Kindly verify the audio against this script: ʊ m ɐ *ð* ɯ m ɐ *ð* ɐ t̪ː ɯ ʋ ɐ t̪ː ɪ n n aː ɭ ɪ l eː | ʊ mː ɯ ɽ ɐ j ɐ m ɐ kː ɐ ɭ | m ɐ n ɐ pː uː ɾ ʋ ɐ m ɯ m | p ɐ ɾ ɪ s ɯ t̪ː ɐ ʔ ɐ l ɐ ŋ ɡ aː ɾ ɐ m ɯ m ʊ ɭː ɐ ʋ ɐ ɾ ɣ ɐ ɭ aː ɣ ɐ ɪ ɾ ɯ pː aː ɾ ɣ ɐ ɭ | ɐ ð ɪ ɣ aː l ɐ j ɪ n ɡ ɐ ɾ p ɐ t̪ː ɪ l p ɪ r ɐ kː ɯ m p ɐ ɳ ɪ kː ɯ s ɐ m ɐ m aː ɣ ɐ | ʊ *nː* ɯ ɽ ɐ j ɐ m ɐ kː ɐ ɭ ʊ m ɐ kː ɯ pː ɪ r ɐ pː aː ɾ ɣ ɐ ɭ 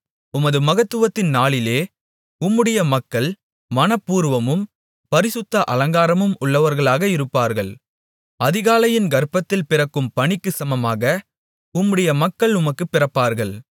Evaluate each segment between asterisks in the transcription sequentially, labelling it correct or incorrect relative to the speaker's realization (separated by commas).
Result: correct, incorrect, incorrect